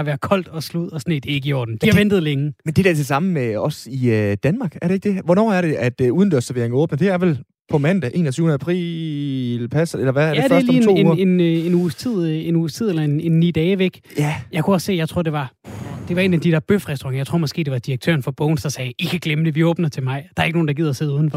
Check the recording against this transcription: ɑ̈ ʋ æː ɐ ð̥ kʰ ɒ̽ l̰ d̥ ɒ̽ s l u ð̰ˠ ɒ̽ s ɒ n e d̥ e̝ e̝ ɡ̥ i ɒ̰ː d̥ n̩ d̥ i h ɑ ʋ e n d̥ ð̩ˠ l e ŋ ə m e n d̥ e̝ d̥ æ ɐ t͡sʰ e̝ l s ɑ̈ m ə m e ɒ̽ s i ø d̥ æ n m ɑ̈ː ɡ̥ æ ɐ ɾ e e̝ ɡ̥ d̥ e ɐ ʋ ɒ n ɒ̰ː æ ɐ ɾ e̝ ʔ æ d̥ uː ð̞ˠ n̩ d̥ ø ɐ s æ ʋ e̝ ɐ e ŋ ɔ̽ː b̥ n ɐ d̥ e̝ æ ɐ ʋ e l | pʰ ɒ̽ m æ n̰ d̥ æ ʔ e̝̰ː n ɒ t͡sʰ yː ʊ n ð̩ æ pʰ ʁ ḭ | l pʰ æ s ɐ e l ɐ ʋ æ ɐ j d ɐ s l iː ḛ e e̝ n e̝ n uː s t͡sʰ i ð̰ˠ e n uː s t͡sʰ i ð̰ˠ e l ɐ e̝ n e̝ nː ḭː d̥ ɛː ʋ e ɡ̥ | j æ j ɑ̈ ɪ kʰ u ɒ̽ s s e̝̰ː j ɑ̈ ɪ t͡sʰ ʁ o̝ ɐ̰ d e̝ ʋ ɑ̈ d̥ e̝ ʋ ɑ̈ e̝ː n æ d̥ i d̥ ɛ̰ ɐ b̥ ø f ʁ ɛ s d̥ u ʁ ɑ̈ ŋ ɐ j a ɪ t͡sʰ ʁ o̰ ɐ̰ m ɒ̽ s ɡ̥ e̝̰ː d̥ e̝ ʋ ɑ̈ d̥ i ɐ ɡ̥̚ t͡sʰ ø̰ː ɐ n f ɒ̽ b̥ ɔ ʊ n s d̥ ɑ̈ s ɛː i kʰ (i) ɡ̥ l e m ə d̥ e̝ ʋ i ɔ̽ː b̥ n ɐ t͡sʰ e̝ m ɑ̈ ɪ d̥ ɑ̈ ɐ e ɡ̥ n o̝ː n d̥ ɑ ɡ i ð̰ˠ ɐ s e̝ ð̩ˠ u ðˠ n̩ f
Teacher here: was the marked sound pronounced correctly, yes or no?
no